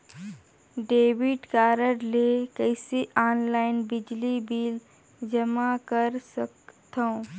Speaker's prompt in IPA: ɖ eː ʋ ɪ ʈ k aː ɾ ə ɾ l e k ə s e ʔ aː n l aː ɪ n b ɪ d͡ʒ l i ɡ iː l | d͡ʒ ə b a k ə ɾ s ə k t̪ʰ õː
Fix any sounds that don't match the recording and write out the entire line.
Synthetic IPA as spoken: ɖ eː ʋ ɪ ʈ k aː ɾ ə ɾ l e k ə s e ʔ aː n l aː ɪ n b ɪ d͡ʒ l i b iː l | d͡ʒ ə m a k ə ɾ s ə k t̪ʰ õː